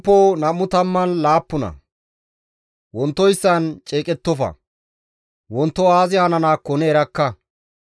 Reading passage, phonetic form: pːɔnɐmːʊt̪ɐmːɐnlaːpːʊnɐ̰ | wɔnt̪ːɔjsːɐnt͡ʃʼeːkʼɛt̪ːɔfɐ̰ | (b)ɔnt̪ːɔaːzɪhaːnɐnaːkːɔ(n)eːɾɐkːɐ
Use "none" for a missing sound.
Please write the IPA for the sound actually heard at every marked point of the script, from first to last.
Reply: w, n

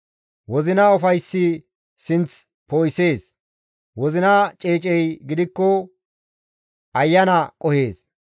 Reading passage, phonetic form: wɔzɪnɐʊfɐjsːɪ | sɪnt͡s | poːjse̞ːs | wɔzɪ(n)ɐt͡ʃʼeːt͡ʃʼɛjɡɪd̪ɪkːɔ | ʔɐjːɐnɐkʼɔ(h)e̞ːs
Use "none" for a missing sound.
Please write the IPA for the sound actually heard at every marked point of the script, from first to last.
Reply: n, h

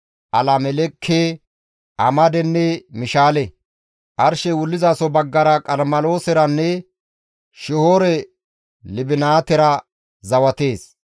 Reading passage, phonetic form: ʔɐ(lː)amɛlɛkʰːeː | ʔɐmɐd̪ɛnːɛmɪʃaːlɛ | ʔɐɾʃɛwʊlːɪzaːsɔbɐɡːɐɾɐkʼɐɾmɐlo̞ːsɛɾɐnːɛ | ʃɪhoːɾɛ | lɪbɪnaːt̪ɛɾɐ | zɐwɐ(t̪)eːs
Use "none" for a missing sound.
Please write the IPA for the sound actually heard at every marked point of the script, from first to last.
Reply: l, t̪

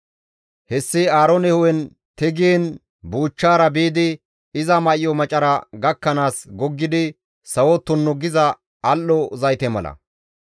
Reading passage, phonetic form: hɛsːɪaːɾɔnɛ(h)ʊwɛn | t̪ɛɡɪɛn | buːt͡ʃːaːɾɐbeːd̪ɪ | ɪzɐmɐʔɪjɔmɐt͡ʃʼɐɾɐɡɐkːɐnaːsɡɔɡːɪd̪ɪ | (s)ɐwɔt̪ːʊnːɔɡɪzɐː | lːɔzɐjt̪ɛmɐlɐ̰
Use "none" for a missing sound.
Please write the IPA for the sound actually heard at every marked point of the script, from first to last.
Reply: h, s

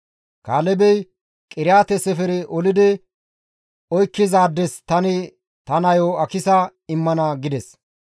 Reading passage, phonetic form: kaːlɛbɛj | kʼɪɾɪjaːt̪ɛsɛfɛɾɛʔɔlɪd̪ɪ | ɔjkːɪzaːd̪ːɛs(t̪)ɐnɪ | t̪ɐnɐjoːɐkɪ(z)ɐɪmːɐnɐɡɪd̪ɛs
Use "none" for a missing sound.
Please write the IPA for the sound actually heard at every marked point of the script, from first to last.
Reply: t̪, s

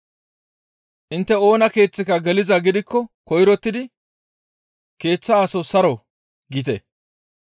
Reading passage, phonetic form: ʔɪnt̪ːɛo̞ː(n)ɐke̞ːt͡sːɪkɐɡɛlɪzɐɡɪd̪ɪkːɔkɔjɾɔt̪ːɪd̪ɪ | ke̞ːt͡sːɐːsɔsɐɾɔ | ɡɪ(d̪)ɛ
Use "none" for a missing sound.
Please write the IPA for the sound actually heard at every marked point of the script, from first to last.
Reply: n, t̪

